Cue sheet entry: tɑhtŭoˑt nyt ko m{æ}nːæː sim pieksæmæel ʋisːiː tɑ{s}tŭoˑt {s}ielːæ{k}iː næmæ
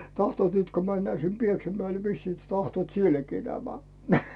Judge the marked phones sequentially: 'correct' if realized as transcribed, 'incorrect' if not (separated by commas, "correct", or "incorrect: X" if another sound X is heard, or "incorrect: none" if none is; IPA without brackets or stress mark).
correct, incorrect: h, correct, correct